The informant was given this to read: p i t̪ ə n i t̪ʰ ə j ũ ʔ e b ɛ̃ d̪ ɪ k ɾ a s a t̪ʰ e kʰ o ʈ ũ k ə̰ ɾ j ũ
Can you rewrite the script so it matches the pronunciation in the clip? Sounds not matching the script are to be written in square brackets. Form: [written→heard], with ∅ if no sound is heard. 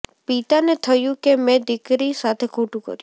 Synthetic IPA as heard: p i t̪ [ə→a] n [i→e] t̪ʰ ə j ũ [ʔ→k] e [b→m] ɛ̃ d̪ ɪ k ɾ [a→i] s a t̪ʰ e kʰ o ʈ ũ k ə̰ ɾ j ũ